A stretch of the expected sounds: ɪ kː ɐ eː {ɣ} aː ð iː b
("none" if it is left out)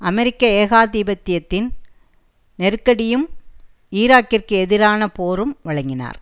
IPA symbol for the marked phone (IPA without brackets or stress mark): ɣ